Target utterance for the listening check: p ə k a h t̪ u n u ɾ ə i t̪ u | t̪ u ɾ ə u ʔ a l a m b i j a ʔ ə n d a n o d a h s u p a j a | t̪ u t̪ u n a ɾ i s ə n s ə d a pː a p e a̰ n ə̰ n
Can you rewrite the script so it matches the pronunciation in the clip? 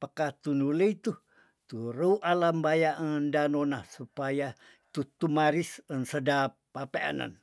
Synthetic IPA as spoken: p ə k a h t̪ u n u l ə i t̪ u | t̪ u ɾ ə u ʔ a l a m b a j a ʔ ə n d a n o n a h s u p a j a | t̪ u t̪ u m a ɾ i s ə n s ə d a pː a p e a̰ n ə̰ n